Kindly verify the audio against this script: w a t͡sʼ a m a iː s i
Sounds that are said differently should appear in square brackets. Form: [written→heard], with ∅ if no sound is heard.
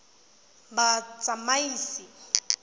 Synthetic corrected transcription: [w→b] a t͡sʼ a m a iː s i